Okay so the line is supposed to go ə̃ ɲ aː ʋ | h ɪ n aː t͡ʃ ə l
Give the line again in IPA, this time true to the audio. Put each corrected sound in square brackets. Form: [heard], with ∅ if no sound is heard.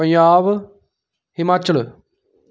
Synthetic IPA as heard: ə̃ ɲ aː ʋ | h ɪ [m] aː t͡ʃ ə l